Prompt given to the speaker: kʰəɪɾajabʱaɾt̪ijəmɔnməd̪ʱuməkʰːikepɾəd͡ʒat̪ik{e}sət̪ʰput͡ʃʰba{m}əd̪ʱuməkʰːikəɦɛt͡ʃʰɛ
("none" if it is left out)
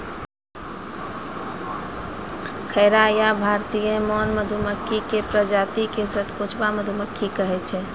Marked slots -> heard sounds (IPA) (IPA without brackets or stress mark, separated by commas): e, m